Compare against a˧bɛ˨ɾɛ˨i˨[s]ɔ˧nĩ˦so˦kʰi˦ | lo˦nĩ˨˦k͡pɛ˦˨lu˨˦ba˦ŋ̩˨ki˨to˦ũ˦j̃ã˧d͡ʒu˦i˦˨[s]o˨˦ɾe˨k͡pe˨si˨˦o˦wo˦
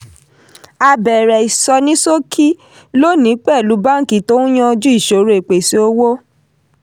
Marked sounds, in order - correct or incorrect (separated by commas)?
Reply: correct, incorrect